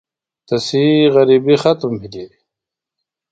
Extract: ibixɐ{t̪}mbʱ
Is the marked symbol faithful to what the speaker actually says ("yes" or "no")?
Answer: yes